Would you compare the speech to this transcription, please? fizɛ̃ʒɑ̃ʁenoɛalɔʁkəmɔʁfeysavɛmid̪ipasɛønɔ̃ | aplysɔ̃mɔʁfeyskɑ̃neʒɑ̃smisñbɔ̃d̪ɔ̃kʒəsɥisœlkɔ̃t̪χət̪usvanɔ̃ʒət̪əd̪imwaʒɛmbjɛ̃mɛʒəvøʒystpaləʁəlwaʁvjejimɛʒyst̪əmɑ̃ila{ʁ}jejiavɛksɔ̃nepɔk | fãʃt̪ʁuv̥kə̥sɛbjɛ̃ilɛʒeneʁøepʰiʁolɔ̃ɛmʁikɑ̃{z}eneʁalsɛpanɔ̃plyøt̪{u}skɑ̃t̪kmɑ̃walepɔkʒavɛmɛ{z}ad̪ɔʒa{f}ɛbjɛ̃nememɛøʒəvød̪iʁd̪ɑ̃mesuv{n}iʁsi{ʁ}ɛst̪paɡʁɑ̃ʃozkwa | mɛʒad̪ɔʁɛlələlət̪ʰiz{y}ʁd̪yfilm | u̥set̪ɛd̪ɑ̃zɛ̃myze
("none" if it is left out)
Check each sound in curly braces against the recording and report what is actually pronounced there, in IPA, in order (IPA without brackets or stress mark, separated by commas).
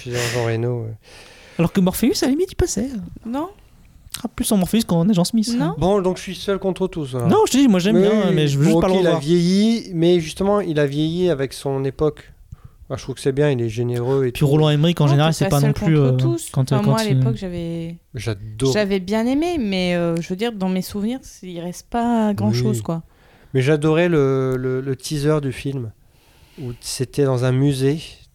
v, ʒ, u, ʒ, v, n, ʁ, œ